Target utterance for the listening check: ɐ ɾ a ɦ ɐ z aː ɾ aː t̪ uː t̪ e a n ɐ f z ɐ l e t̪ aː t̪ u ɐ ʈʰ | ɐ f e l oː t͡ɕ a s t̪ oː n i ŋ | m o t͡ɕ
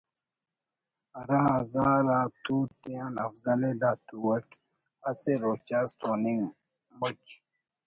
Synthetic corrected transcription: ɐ ɾ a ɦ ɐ z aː ɾ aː t̪ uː t̪ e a n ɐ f z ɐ l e d̪ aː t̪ u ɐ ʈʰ | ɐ s e ɾ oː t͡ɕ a s t̪ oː n i ŋ | m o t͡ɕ